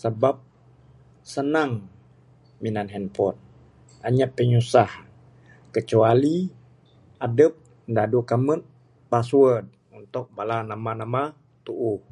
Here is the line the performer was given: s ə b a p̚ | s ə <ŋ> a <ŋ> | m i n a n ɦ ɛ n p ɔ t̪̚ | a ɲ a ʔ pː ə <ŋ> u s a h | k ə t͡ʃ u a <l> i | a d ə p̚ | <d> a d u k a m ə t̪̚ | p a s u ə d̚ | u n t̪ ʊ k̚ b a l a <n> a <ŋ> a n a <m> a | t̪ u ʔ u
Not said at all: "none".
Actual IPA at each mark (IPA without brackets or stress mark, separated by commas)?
n, ŋ, ɲ, l, d, n, m, m